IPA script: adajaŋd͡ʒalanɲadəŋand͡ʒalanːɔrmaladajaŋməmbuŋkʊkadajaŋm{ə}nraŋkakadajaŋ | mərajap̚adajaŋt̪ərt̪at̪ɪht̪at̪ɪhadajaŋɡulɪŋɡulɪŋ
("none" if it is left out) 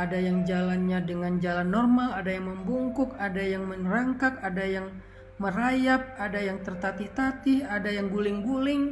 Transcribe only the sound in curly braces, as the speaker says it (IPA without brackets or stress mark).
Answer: ə